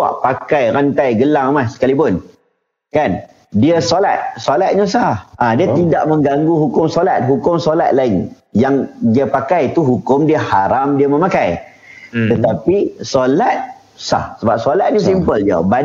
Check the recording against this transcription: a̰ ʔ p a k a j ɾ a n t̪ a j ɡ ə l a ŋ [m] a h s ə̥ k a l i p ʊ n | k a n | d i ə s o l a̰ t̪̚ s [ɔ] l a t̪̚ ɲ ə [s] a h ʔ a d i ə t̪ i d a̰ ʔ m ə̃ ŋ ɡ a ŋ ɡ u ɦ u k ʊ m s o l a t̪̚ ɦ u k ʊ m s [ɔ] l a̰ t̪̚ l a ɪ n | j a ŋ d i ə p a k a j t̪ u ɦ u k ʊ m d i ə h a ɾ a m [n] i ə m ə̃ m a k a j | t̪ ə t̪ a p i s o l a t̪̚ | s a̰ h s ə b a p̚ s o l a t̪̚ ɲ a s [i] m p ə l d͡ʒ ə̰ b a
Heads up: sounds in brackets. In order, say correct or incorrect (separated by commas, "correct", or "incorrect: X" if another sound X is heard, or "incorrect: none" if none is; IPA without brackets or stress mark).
correct, incorrect: o, correct, incorrect: o, incorrect: d, correct